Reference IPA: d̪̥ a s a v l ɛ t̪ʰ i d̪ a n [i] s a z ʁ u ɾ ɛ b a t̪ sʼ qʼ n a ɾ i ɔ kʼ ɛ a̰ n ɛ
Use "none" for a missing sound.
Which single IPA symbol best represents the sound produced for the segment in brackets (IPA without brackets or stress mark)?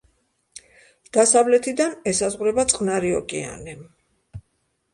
ɛ